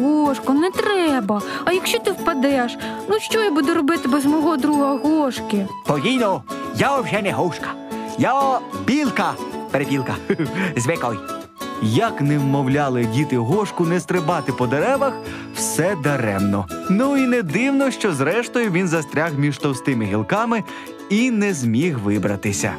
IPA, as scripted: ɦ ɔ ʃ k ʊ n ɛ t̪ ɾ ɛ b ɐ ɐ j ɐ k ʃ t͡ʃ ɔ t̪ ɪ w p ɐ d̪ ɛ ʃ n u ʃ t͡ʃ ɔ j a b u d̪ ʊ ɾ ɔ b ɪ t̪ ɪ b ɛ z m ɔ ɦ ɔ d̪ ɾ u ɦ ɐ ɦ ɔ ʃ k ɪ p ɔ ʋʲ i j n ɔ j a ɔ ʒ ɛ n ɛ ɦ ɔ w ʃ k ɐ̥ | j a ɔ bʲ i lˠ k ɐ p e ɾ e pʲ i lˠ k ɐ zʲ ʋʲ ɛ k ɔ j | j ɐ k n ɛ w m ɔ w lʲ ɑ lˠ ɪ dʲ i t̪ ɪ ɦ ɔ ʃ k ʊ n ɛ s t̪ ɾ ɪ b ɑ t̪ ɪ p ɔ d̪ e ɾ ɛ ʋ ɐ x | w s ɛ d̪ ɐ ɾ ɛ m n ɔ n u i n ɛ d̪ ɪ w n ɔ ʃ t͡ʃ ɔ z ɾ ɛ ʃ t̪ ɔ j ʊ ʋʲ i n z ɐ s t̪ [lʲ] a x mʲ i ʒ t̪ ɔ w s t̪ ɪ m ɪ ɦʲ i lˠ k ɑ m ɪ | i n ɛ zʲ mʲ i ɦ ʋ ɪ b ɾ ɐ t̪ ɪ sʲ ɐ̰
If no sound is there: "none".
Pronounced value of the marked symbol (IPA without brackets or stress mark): ɾʲ